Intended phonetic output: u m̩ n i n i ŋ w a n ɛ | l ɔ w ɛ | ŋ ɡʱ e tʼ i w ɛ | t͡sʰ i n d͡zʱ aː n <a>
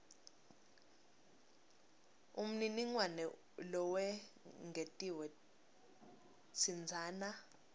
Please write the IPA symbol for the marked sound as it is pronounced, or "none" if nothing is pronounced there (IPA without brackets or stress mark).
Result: a